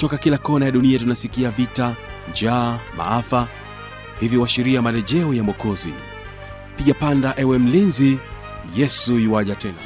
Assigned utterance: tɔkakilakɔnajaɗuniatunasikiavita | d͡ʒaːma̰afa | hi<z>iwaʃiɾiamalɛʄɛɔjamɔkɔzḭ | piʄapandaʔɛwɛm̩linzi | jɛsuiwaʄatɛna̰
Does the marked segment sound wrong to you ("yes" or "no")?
yes